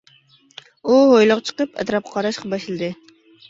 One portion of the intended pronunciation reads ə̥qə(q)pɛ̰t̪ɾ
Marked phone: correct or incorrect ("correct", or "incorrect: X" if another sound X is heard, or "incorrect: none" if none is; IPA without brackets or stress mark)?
incorrect: none